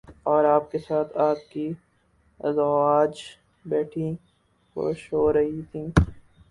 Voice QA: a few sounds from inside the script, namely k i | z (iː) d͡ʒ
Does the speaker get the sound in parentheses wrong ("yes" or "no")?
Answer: yes